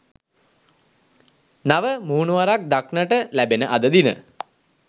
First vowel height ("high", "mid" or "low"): low